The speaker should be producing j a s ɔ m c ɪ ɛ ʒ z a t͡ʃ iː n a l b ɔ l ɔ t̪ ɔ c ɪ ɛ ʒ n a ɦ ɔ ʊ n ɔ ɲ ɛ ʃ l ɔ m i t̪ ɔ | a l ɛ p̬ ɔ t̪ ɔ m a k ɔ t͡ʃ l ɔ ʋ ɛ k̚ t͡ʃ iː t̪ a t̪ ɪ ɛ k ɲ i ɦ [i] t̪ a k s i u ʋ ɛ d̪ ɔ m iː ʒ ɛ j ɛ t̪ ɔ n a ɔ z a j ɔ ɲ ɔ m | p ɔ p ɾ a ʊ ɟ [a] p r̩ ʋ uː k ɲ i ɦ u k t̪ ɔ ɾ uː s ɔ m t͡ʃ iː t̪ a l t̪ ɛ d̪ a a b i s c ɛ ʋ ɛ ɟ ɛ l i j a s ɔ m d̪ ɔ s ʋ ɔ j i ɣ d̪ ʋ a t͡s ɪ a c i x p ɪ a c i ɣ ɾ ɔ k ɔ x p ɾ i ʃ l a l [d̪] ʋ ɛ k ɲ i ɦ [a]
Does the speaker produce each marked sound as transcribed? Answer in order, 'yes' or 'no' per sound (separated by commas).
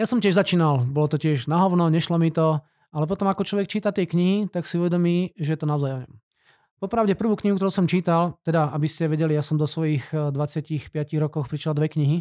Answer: yes, no, yes, no